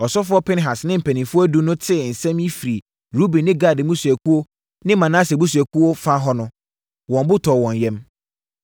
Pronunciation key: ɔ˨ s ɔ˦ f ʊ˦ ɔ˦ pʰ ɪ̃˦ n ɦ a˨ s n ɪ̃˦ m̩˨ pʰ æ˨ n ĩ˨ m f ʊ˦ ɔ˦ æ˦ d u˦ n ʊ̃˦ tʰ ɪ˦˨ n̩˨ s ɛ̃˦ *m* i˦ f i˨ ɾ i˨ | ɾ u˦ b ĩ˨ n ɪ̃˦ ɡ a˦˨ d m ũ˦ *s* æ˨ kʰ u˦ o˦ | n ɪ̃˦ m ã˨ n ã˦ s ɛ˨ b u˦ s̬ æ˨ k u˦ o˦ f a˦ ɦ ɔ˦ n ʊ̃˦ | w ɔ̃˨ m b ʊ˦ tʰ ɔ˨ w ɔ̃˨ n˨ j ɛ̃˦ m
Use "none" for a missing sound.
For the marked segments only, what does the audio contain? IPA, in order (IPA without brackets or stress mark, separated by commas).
m, s